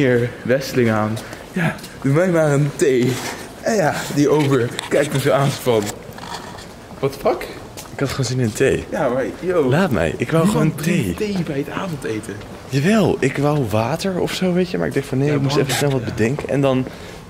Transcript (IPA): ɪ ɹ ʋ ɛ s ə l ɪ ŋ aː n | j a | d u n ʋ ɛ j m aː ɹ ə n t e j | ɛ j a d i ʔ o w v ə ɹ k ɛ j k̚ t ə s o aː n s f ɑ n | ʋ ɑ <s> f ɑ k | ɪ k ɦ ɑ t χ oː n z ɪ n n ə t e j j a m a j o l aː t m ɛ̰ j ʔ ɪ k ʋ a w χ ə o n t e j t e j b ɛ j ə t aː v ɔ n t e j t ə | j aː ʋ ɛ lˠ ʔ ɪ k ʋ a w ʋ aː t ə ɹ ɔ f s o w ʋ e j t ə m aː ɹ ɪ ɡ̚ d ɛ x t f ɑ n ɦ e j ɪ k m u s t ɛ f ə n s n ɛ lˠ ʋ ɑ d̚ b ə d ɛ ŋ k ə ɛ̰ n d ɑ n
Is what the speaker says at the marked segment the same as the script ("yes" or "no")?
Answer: no